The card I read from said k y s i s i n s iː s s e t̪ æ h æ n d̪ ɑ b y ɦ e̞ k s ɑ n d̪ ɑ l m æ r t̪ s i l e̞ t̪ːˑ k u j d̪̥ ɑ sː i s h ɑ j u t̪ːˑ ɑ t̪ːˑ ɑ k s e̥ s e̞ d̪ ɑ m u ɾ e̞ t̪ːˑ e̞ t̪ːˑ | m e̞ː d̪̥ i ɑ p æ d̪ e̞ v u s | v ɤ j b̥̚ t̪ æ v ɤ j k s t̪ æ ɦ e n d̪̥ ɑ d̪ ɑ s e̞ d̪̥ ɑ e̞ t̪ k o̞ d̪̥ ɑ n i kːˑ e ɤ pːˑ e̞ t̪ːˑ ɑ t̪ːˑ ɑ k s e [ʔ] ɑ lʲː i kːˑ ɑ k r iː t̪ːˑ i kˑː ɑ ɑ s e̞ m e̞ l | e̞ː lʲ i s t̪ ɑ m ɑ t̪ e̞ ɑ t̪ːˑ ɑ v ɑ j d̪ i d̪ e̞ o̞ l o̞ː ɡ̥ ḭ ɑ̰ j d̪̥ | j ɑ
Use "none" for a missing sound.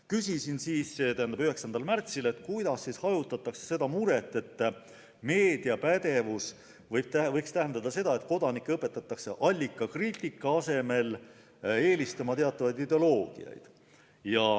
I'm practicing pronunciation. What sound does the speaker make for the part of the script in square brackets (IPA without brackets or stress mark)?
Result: ʔ